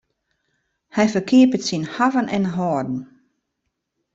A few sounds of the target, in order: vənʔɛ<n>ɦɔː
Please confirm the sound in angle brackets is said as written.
yes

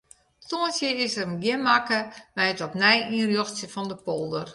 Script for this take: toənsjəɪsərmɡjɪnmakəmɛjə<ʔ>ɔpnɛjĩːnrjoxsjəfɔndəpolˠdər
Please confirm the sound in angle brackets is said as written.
no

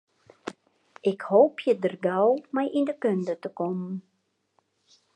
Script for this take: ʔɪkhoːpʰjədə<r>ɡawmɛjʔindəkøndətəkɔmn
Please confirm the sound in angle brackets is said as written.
yes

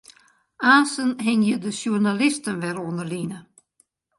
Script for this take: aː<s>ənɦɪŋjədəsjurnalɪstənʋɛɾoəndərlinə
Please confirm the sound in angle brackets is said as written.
yes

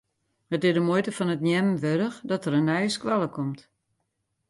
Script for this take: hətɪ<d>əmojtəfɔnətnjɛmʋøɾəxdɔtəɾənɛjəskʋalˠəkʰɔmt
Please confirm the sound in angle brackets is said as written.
yes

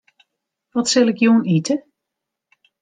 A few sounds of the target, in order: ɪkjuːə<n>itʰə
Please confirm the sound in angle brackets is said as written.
yes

